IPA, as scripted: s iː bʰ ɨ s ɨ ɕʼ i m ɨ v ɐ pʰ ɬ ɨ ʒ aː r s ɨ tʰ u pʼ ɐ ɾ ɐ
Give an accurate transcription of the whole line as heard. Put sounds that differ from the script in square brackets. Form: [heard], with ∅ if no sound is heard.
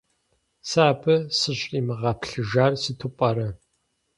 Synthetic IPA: s [aː] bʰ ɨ s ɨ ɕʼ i m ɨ [ʁ] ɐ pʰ ɬ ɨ ʒ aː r s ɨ tʰ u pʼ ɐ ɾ ɐ